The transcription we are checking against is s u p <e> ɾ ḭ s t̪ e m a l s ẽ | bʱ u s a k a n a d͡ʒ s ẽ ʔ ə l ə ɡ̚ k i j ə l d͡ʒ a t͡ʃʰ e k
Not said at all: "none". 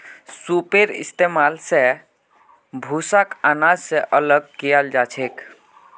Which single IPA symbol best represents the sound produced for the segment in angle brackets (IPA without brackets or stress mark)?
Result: e